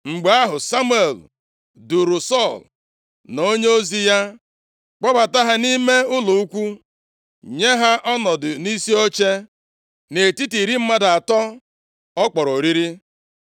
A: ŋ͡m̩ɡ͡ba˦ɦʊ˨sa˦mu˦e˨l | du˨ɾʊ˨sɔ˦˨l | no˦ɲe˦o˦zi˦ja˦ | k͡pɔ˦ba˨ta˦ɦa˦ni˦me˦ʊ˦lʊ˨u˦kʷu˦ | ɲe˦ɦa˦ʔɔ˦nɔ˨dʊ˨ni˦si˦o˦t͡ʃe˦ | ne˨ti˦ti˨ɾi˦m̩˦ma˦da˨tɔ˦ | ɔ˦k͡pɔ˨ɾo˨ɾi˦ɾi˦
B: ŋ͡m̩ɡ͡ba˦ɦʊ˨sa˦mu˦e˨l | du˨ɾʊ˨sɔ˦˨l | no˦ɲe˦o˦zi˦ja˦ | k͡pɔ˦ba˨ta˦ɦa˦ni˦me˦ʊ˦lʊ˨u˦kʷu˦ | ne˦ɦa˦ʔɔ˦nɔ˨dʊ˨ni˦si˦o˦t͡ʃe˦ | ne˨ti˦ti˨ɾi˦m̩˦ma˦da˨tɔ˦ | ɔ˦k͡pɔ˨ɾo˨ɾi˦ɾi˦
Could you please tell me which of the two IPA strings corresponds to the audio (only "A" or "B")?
A